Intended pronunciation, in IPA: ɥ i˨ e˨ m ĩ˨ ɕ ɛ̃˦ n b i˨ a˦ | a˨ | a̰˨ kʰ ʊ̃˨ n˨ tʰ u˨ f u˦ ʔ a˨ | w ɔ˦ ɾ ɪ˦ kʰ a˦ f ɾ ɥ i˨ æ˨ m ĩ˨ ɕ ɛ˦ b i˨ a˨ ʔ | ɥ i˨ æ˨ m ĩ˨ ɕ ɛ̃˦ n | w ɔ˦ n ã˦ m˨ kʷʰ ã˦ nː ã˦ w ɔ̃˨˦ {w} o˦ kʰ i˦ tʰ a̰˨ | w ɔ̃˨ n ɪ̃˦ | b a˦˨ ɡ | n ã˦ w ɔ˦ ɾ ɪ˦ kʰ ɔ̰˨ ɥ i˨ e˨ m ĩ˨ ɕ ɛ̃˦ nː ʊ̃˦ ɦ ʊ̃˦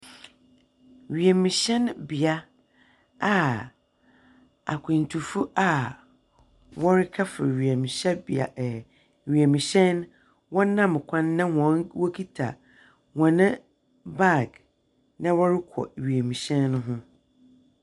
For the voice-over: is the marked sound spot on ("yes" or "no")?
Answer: yes